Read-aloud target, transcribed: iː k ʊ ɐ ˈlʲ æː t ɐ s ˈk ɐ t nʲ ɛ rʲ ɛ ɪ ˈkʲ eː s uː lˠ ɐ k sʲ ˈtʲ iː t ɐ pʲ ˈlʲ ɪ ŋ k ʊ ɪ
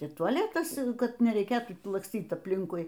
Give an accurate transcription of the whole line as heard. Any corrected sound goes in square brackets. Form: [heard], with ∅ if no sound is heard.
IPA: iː [t] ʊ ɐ ˈlʲ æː t ɐ s ˈk ɐ t nʲ ɛ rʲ ɛ ɪ ˈkʲ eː [t] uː lˠ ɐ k sʲ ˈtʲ iː t ɐ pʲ ˈlʲ ɪ ŋ k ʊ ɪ